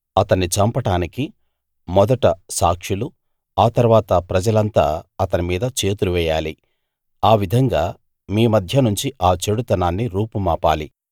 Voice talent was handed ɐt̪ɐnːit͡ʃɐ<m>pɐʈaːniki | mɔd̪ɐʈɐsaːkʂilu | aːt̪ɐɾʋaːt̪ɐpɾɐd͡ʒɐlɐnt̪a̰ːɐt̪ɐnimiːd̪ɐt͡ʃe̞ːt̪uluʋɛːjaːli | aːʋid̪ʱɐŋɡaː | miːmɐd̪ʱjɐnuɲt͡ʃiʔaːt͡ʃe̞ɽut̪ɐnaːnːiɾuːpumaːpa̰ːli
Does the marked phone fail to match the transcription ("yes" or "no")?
no